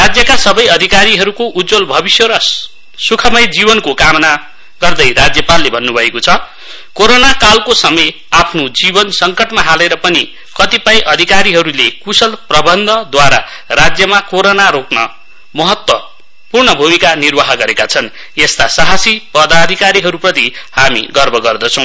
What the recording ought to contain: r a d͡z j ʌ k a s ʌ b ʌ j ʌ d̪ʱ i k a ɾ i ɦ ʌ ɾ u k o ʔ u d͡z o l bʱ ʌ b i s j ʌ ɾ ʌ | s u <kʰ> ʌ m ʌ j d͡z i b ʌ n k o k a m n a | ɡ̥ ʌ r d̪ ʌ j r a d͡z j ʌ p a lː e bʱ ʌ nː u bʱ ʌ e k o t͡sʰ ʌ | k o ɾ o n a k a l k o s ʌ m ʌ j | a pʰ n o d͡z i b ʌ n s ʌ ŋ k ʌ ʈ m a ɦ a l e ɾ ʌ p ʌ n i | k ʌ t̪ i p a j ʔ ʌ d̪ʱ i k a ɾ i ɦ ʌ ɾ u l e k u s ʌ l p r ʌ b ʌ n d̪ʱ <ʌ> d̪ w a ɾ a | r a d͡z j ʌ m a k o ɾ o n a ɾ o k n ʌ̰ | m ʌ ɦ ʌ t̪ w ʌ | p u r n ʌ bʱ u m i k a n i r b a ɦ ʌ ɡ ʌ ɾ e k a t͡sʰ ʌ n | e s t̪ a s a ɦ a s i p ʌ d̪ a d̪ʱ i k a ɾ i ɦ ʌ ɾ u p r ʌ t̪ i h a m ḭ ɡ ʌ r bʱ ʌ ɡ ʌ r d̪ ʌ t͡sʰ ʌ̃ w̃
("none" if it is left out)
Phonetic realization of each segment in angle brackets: kʰ, ʌ

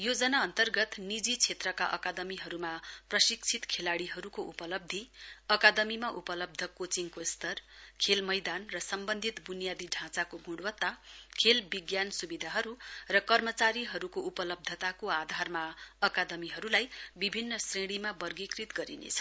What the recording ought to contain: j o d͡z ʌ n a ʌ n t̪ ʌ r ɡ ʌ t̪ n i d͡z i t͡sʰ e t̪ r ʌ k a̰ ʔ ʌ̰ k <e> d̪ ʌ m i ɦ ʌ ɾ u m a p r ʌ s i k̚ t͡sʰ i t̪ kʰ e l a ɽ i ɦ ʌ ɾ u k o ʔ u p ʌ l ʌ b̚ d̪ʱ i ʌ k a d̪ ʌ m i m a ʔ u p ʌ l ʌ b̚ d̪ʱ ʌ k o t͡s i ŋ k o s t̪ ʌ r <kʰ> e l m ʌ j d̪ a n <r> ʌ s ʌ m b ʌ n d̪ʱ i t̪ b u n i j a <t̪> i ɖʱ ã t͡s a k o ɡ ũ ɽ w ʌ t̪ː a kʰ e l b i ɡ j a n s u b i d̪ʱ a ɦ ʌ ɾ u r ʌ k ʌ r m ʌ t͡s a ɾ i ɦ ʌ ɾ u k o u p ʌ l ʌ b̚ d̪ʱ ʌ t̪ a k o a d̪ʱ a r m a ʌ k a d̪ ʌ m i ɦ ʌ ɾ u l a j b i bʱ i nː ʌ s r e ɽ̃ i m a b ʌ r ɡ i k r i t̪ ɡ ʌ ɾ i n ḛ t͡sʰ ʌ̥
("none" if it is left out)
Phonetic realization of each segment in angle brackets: a, kʰ, r, d̪

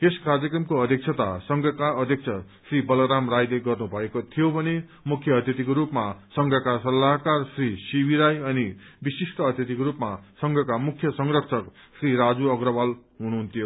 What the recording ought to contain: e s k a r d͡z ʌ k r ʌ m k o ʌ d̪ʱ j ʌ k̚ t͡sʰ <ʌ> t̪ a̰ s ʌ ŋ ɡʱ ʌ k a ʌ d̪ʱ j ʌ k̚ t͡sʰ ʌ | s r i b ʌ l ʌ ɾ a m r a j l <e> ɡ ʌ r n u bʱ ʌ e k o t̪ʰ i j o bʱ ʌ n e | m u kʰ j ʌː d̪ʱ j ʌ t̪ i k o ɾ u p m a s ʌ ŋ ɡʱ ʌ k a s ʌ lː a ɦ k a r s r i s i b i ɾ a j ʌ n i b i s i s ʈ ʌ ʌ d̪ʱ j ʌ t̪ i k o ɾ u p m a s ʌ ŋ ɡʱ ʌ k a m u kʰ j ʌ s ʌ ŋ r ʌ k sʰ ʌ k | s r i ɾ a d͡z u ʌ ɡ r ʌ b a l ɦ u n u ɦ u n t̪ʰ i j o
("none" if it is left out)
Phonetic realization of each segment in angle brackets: ʌ, e

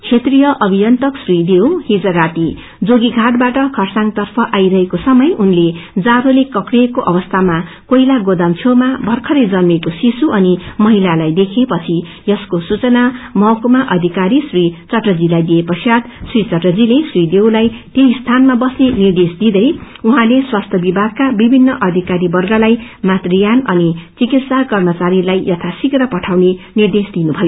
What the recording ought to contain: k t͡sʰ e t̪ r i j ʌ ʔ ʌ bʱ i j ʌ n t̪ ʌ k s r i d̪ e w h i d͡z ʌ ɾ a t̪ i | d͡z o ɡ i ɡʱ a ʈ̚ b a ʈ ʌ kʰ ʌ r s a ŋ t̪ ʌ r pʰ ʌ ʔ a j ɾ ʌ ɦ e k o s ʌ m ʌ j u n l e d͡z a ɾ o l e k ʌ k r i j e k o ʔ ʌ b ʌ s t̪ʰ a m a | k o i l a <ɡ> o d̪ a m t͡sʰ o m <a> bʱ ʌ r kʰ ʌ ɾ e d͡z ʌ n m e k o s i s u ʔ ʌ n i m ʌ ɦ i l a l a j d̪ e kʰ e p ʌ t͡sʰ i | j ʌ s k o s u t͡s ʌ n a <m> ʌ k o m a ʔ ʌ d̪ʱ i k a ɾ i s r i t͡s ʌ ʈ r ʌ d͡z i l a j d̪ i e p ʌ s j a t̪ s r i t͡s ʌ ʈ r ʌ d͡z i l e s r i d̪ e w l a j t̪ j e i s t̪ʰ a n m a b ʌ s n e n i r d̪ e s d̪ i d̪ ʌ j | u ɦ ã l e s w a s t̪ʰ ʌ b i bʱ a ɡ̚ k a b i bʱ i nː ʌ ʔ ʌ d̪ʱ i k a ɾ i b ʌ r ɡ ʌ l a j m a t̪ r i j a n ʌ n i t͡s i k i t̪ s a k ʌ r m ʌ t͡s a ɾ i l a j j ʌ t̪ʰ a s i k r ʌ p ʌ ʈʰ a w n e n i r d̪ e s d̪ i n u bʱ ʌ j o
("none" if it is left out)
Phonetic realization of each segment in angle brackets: ɡ, a, m

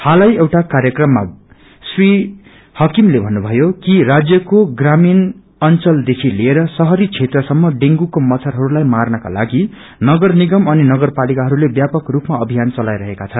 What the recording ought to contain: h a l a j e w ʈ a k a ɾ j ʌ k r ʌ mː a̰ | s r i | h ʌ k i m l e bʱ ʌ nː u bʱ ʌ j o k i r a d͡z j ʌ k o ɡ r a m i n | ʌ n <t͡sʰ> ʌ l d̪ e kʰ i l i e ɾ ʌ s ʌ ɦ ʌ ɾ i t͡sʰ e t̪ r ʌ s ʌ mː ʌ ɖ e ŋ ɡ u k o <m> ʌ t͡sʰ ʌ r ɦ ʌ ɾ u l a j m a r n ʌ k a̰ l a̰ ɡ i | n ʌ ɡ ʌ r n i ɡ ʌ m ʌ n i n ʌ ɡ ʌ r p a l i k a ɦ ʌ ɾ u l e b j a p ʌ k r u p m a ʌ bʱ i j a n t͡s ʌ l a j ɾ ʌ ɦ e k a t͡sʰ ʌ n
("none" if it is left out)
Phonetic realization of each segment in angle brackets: t͡s, m

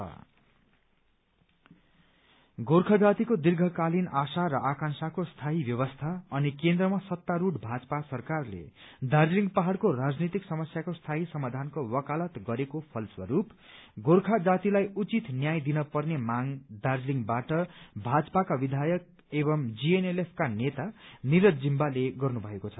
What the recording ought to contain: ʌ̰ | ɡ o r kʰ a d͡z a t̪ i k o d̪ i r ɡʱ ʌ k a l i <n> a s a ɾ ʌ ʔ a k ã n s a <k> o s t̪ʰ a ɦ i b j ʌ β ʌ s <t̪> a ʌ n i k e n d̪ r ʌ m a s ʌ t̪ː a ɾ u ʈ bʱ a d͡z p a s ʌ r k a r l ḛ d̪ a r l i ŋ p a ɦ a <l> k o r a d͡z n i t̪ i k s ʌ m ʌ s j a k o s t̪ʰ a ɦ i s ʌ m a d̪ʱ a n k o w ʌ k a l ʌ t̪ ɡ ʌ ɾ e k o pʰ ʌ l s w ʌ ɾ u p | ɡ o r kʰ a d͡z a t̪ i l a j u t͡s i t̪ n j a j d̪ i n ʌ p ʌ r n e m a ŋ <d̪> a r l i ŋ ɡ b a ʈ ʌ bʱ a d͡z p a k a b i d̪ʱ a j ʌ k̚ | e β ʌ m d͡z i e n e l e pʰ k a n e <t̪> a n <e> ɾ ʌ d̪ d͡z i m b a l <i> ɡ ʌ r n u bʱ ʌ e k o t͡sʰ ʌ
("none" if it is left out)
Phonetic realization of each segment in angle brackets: n, k, t̪ʰ, ɽ, d̪, t̪, i, e

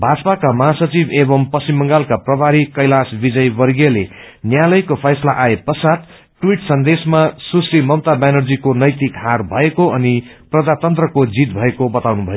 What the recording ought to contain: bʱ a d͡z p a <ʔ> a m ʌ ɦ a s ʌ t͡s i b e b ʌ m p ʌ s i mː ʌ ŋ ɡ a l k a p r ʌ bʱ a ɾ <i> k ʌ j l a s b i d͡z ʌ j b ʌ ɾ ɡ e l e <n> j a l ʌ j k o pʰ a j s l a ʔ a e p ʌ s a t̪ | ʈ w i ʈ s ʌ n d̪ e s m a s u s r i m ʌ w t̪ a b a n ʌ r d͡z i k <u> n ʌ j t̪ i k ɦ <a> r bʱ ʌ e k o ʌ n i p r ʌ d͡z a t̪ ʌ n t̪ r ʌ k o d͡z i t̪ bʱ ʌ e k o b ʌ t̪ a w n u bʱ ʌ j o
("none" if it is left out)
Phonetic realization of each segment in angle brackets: k, i, n, o, a

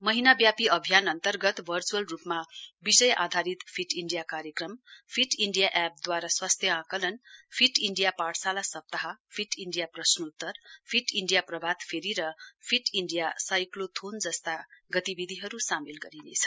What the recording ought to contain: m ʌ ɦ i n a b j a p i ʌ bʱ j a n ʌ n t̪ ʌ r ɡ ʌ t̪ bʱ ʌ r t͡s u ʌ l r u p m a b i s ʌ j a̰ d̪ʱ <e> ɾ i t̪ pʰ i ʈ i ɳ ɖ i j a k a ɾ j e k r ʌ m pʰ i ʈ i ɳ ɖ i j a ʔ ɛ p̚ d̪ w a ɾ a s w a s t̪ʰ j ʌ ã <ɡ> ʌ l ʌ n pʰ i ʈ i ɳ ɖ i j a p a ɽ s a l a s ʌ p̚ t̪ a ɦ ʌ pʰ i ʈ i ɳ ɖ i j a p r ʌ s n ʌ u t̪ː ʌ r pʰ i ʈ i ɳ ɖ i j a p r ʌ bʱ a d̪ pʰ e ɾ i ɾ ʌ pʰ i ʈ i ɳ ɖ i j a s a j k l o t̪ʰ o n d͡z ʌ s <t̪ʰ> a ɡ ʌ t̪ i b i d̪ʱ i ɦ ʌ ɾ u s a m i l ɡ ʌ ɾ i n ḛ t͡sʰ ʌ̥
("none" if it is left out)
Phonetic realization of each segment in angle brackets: a, k, t̪

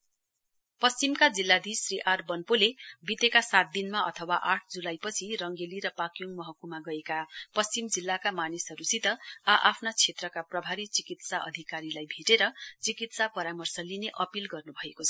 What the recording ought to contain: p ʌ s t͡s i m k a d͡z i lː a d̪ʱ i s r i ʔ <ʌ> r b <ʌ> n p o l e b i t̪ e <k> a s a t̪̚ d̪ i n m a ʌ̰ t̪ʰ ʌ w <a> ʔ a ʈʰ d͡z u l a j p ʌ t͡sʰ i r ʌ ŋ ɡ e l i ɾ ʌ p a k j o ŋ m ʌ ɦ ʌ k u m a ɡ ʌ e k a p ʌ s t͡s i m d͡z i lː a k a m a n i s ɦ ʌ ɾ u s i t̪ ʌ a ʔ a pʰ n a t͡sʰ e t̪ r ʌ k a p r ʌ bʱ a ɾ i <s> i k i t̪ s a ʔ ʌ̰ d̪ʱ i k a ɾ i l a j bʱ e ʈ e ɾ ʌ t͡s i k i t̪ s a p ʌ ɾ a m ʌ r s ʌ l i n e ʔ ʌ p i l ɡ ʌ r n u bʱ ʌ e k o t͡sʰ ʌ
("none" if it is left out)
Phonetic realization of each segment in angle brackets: a, ʌ, k, a, t͡s

